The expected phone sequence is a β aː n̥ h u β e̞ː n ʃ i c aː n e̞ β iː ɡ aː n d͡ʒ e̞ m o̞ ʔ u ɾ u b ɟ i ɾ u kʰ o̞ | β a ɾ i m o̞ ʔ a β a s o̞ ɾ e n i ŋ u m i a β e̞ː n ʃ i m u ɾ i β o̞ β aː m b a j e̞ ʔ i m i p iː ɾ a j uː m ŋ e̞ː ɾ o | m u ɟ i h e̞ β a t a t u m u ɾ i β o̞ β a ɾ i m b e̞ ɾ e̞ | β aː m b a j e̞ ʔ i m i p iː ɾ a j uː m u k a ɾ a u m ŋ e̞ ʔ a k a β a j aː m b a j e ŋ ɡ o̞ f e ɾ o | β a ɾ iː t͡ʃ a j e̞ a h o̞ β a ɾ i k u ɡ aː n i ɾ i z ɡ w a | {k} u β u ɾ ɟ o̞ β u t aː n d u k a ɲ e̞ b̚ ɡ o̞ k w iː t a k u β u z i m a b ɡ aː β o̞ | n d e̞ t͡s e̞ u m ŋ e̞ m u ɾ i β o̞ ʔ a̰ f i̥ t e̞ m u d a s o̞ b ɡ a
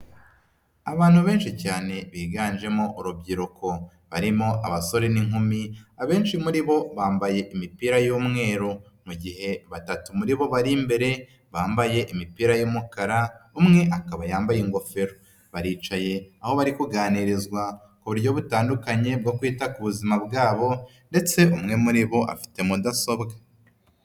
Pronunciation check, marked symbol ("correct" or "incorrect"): correct